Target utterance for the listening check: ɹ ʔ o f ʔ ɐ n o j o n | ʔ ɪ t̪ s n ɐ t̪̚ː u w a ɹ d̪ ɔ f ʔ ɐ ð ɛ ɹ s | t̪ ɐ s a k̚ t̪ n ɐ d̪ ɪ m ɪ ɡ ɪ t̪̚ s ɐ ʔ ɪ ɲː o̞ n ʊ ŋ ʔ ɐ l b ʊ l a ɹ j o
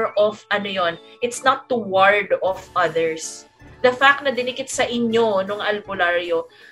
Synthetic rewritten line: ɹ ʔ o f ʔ ɐ n o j o n | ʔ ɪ t̪ s n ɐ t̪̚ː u w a ɹ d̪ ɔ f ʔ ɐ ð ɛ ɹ s | d̪ ɐ f a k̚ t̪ n ɐ d̪ ɪ n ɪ k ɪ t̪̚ s ɐ ʔ ɪ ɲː o̞ n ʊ ŋ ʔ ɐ l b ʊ l a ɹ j o